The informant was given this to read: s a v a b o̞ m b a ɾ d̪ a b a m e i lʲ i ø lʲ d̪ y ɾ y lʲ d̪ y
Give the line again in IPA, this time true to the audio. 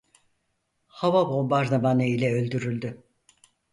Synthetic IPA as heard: h a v a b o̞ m b a ɾ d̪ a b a n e i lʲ ɛ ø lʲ d̪ y ɾ y lʲ d̪ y